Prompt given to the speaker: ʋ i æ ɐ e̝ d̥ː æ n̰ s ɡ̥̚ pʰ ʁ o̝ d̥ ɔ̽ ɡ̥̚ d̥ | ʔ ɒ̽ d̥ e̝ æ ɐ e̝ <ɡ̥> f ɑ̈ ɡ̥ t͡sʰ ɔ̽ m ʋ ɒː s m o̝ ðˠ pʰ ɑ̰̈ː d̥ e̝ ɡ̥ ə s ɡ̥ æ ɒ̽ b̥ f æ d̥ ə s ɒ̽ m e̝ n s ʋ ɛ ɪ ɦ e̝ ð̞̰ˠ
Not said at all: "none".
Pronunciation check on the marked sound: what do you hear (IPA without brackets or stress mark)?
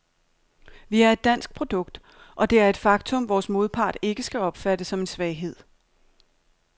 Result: d̥